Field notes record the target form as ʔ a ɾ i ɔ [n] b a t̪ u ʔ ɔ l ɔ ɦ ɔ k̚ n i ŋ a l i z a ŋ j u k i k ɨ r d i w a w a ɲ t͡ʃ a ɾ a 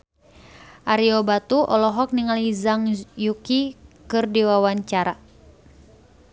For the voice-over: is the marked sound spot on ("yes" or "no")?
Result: no